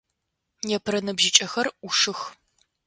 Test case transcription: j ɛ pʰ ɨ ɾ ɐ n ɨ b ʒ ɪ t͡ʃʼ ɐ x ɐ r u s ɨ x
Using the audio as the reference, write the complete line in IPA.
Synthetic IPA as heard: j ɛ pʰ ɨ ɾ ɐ n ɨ b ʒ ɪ t͡ʃʼ ɐ x ɐ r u ʂ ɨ x